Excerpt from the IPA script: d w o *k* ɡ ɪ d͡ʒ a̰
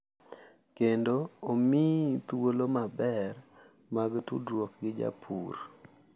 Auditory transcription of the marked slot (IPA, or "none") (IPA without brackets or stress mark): k